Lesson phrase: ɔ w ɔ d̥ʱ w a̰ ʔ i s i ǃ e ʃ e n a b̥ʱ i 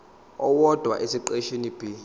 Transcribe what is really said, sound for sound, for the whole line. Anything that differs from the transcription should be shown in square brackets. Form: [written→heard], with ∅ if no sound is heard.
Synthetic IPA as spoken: ɔ w ɔ d̥ʱ w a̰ ʔ [i→e] s i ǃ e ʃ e n [a→i] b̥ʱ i